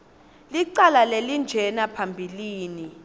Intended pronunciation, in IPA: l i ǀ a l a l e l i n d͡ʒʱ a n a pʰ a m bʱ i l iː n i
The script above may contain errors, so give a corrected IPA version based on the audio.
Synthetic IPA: l i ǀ a l a l e l i n d͡ʒʱ ɛ n a pʰ a m bʱ i l iː n i